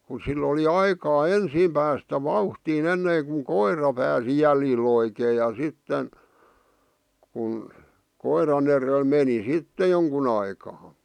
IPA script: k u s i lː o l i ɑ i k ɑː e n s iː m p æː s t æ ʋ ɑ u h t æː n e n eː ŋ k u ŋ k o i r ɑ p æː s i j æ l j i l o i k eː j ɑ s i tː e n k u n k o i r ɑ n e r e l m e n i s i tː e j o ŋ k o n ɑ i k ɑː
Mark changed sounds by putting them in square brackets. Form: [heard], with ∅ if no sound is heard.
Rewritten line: k u s i lː o l i ɑ i k ɑː e n s iː m p æː s t æ ʋ ɑ u h t [iː] n e [nː] eː ŋ k u ŋ k o i r ɑ p æː s i j æ l j i l o i k eː j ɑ s i tː e n k u n k o i r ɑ n e r e l m e n i s i tː e j o ŋ k [u] n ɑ i k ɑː